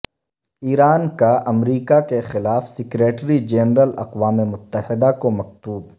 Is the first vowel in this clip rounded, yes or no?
no